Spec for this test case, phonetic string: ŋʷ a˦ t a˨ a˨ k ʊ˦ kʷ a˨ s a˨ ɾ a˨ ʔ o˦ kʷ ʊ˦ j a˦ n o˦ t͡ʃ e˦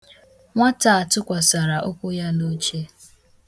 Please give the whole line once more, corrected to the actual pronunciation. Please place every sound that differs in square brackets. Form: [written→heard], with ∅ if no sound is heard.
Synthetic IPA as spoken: ŋʷ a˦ t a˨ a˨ [k→t] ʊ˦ kʷ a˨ s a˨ ɾ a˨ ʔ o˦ kʷ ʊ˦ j a˦ n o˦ t͡ʃ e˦